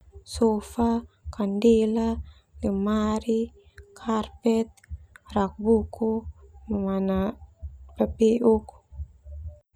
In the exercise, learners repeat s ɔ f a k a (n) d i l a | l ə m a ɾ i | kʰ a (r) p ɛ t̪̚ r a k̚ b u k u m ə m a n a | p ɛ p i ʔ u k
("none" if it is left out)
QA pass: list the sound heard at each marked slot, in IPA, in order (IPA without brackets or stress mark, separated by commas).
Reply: n, r